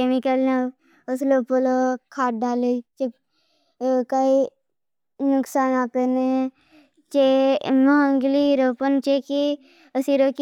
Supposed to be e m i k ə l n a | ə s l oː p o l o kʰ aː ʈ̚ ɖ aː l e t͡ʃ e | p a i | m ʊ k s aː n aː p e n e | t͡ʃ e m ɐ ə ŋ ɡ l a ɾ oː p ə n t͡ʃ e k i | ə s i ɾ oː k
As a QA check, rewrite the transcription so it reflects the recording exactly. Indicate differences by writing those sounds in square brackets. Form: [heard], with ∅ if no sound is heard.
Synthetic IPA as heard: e m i k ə l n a | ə s l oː p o l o kʰ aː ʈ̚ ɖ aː l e t͡ʃ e | [k] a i | [n] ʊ k s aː n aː p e n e | t͡ʃ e m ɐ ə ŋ ɡ l [i] ɾ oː p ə n t͡ʃ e k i | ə s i ɾ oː k